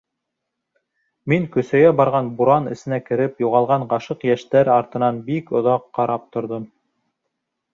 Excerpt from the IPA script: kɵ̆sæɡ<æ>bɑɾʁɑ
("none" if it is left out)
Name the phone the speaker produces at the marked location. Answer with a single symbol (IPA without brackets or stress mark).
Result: æ